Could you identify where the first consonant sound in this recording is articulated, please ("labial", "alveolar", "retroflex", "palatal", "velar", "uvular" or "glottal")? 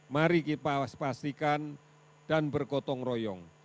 labial